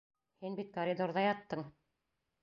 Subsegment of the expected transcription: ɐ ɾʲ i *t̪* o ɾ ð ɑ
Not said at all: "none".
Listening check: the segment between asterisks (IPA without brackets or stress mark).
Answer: d̪